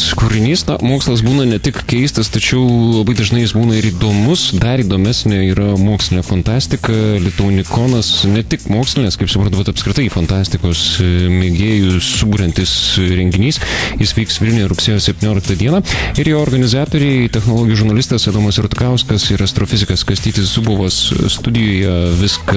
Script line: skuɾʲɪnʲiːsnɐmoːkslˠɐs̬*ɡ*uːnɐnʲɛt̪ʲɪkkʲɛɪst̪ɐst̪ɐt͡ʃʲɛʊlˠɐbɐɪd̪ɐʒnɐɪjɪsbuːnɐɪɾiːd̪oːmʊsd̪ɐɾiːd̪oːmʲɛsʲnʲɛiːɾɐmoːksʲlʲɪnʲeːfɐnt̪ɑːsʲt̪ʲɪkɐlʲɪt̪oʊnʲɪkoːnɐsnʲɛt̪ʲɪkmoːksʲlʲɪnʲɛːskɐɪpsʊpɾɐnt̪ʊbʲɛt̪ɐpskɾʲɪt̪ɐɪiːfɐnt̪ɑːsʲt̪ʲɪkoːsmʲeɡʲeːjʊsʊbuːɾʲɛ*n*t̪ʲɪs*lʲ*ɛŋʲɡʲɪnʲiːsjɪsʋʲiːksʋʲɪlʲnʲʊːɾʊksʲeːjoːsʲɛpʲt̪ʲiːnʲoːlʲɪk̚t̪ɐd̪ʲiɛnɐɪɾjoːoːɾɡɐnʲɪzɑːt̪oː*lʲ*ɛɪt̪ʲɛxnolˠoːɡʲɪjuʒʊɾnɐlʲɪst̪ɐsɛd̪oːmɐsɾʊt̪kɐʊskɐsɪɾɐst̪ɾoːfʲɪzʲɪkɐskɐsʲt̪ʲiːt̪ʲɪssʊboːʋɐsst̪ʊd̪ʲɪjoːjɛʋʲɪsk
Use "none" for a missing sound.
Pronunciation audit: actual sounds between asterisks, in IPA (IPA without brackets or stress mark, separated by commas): b, n, ɾʲ, ɾʲ